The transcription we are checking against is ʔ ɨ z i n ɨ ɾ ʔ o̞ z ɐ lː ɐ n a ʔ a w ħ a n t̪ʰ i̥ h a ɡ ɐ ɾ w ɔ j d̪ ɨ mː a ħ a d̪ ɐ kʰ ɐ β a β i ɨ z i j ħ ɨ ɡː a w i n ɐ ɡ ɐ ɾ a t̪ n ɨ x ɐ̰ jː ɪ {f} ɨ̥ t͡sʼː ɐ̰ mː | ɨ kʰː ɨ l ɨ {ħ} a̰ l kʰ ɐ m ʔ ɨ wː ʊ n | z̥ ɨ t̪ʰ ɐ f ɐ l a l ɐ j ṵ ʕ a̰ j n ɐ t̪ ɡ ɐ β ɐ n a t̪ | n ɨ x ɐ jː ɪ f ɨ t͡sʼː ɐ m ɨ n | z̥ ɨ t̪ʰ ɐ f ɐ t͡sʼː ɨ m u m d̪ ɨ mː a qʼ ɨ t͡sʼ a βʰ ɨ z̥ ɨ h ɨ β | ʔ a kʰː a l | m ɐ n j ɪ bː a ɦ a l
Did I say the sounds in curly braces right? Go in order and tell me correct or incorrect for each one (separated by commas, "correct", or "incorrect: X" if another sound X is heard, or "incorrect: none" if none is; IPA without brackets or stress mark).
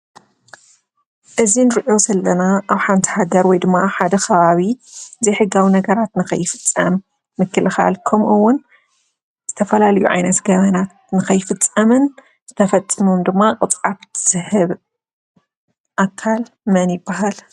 correct, incorrect: x